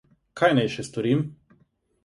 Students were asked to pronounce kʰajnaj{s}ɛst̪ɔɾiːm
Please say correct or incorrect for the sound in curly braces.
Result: incorrect